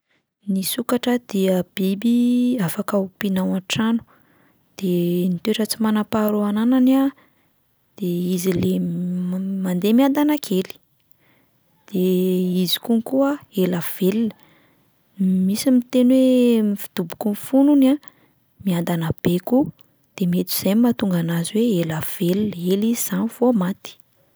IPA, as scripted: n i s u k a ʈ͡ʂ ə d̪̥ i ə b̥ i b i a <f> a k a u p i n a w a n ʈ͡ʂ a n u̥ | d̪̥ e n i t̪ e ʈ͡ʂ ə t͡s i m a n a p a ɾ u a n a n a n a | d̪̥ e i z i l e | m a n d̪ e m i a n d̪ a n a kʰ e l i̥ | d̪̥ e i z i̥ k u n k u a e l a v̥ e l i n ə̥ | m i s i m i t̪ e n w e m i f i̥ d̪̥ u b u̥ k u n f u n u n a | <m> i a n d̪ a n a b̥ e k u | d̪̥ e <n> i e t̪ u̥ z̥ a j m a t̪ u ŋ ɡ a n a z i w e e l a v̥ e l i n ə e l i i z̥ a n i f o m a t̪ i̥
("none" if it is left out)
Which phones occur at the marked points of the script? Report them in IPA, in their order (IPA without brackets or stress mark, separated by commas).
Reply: f, m, m